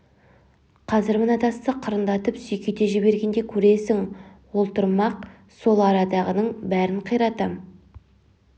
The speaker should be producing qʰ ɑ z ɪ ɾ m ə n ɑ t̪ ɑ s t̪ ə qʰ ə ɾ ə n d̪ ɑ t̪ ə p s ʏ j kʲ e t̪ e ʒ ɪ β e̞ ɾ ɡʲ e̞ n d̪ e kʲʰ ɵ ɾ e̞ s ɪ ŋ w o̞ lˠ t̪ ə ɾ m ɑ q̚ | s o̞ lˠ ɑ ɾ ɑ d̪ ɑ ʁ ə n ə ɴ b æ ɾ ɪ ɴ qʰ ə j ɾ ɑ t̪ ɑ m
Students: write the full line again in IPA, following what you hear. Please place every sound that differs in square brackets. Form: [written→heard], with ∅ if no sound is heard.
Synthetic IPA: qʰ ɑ z ɪ ɾ m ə n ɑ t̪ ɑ s t̪ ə qʰ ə ɾ ə n d̪ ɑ t̪ ə p s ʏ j kʲ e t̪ e ʒ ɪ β e̞ ɾ ɡʲ e̞ n d̪ e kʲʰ ɵ ɾ e̞ s ɪ ŋ w o̞ lˠ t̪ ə ɾ m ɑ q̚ | s o̞ lˠ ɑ ɾ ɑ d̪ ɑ ʁ ə n ə ɴ b æ ɾ ɪ ɴ qʰ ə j ɾ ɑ t̪ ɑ m